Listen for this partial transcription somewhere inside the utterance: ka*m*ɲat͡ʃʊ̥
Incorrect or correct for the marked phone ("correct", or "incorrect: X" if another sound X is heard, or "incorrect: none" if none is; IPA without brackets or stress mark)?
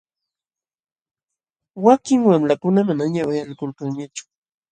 incorrect: ŋ